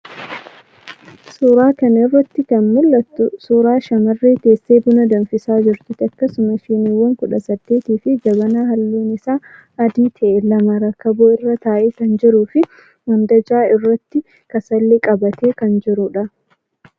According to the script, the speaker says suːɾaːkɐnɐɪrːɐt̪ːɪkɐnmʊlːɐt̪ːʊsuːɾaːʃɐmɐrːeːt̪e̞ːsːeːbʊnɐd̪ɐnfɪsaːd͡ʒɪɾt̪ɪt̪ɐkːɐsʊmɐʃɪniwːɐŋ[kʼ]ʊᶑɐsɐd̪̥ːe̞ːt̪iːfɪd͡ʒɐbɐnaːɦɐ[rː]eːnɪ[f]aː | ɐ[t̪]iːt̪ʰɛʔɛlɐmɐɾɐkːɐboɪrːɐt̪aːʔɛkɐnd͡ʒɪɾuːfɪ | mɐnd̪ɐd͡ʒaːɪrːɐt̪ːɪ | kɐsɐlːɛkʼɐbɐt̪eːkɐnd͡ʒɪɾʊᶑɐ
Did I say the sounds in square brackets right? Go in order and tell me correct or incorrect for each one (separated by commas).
incorrect, incorrect, incorrect, incorrect